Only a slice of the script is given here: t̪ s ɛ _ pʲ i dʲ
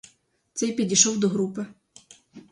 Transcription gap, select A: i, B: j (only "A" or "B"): B